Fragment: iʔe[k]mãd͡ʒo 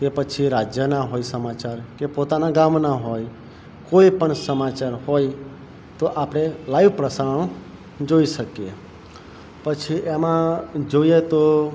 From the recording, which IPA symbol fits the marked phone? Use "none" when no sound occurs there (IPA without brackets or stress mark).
none